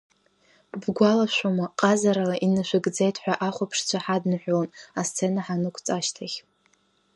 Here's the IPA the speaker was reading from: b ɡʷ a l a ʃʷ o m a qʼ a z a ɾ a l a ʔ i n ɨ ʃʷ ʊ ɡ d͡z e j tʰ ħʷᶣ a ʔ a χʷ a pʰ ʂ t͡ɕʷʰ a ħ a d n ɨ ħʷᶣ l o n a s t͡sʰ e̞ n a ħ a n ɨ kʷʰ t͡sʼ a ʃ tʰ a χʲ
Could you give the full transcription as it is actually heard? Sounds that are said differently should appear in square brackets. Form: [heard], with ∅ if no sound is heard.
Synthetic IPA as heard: b ɡʷ a l a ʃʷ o m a qʼ a z a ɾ a l a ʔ i n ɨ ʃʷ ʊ ɡ d͡z e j tʰ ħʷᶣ a ʔ a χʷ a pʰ ʂ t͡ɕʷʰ a ħ a d n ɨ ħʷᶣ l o n a s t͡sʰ e̞ n a ħ a n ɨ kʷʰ t͡sʼ a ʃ tʰ a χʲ